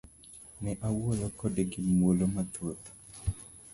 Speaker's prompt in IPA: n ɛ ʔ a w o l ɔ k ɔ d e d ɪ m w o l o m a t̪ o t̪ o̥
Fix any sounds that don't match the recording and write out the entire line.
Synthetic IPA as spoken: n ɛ ʔ a w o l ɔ k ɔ d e ɡ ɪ m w o l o m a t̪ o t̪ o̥